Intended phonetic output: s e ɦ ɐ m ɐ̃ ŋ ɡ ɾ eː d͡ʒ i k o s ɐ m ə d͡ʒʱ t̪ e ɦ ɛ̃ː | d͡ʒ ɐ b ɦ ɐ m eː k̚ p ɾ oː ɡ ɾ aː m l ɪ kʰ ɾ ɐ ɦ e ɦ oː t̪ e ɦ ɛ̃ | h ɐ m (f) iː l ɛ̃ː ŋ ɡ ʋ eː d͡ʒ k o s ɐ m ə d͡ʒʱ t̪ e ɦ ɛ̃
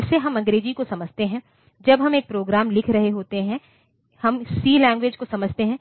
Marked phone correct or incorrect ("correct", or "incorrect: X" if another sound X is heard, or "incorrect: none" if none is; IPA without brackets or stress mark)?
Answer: incorrect: s